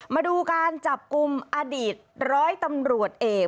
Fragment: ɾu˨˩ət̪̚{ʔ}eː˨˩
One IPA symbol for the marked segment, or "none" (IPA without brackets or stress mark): ʔ